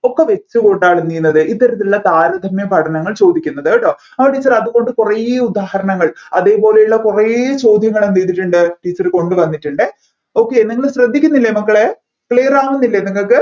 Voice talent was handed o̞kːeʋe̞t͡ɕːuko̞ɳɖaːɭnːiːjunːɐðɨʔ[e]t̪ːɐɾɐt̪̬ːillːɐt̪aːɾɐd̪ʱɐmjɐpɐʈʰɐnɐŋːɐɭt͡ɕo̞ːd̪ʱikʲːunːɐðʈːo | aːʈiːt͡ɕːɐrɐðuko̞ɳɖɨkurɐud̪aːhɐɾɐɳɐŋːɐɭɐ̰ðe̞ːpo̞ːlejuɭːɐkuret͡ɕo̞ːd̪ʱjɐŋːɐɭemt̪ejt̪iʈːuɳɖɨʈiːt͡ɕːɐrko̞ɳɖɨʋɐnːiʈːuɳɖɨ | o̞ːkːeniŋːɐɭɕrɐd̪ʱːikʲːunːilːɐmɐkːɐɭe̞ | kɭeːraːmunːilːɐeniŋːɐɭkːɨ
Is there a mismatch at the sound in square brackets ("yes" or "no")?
yes